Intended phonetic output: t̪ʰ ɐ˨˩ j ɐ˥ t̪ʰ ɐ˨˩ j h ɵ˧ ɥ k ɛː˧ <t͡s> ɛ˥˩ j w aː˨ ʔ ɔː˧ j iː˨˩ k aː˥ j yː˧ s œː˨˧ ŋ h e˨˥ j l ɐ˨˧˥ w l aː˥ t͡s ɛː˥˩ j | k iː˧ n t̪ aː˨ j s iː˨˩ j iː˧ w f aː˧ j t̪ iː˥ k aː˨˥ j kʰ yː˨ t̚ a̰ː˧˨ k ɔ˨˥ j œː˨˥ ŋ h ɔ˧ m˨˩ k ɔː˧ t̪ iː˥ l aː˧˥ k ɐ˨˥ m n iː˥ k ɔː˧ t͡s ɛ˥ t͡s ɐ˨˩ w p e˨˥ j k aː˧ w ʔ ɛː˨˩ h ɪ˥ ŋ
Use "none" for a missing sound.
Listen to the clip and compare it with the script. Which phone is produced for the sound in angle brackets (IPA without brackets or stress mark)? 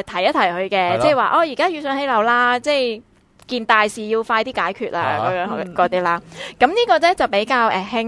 t͡s